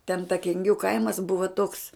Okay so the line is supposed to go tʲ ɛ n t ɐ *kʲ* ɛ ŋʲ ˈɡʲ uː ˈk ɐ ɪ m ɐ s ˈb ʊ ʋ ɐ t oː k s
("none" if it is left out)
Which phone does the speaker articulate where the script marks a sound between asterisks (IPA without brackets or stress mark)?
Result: kʲ